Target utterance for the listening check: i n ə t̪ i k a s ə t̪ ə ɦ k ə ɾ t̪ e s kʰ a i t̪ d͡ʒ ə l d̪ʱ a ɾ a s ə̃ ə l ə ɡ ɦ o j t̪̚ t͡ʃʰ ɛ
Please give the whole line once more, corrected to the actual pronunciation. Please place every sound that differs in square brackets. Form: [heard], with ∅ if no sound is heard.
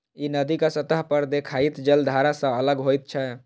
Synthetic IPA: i n ə [d̪] i k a s ə t̪ ə ɦ [p] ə ɾ [d̪] e [∅] kʰ a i t̪ d͡ʒ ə l d̪ʱ a ɾ a s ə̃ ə l ə ɡ ɦ o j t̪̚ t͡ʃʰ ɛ